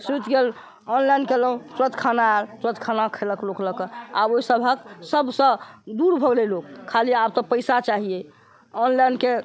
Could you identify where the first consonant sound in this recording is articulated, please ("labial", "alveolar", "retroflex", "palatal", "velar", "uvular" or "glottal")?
alveolar